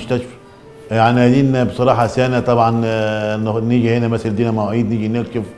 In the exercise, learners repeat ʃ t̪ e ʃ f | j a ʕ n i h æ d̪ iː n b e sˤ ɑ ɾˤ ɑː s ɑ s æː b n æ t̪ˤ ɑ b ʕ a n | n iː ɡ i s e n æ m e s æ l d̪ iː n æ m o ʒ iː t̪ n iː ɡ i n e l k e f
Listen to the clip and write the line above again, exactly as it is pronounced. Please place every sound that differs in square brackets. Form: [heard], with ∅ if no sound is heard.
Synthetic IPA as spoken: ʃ t̪ [æ] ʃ f | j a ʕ n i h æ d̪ iː n b e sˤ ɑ ɾˤ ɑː [ħ] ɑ s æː [∅] n æ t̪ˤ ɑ b ʕ [ɑ] n | n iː ɡ i [h] e n æ m [æ] s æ l d̪ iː n æ m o [ʕ] iː [d̪] n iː ɡ i n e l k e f

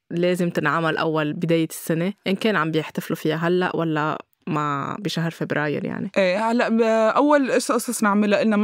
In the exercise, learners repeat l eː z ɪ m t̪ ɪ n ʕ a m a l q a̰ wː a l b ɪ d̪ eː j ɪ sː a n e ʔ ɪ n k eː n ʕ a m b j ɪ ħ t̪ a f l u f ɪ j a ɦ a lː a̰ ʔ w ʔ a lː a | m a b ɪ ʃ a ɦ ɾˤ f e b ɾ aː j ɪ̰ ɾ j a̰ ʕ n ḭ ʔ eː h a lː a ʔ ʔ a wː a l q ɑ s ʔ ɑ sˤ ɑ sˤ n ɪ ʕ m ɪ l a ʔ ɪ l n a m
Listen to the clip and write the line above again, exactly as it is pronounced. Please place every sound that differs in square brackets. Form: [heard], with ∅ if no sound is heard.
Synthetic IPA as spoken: l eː z ɪ m t̪ ɪ n ʕ a m a l [ʔ] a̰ wː a l b ɪ d̪ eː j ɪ sː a n e ʔ ɪ n k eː n ʕ a m b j ɪ ħ t̪ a f l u f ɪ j a ɦ a lː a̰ ʔ w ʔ a lː a | m a b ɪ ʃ a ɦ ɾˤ f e b ɾ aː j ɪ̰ ɾ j a̰ ʕ n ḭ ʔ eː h a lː a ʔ ʔ a wː a l [ʔ] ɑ s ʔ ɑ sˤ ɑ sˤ n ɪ ʕ m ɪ l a ʔ ɪ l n a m

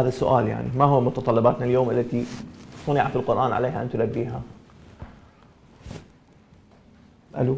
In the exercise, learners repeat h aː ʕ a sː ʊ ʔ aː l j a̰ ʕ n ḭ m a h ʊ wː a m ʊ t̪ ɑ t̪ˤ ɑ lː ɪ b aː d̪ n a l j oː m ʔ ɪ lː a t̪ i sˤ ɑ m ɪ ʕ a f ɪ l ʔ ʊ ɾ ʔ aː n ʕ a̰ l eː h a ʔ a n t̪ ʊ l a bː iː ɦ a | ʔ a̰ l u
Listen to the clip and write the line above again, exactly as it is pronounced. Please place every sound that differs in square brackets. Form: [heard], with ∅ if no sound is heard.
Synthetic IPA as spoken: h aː [ð] a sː ʊ ʔ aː l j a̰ ʕ n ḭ m a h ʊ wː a m ʊ t̪ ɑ t̪ˤ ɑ lː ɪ b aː [t̪] n a l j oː m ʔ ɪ lː a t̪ i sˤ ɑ [n] ɪ ʕ a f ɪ l [q] ʊ ɾ ʔ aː n ʕ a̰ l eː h a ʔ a n t̪ ʊ l a bː iː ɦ a | ʔ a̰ l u

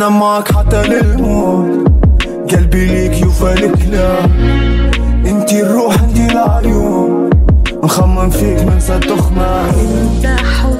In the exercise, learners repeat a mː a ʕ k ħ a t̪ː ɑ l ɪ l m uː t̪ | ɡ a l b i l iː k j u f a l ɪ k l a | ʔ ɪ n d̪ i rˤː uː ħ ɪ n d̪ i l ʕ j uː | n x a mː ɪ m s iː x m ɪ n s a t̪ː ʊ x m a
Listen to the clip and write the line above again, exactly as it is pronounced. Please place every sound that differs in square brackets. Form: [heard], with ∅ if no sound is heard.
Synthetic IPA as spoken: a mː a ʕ k ħ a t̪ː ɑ l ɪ l m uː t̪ | ɡ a l b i l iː k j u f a l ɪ k l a | ʔ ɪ n [t̪] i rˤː uː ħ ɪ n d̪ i l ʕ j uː | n x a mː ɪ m [f] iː [k] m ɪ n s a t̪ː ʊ x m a

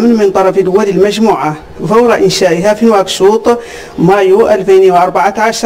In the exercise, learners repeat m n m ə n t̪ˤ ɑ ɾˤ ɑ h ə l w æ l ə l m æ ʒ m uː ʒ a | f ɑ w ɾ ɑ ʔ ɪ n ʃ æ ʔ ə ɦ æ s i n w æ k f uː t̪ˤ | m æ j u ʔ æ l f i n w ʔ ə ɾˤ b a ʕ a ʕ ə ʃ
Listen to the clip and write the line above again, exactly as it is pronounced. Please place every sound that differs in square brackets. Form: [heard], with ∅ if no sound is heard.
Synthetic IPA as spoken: m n m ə n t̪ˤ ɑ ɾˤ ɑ [f] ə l w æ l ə l m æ ʒ m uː [ʕ] a | f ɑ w ɾ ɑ ʔ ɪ n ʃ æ ʔ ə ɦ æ [f] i n w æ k [ʃ] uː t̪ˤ | m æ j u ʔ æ l f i n w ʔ [ɑ] ɾˤ b a ʕ a ʕ [a] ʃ

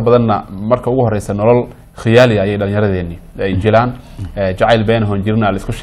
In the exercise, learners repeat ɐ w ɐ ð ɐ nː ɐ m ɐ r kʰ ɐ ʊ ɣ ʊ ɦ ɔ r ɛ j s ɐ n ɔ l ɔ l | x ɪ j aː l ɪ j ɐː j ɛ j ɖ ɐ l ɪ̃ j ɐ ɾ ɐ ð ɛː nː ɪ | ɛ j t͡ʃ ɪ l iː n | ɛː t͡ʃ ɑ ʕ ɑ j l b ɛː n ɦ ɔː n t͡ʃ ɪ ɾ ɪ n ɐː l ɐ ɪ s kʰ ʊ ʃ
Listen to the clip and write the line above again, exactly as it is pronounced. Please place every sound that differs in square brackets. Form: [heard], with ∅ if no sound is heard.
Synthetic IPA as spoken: ɐ [b] ɐ ð ɐ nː ɐ m ɐ r kʰ ɐ ʊ ɣ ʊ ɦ ɔ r ɛ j s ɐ n ɔ l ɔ l | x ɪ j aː l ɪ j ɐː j ɛ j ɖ ɐ l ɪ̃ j ɐ ɾ ɐ ð ɛː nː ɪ | ɛ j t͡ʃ ɪ l [aː] n | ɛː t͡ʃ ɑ ʕ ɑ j l b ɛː n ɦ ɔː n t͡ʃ ɪ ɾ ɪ n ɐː l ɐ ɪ s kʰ ʊ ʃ

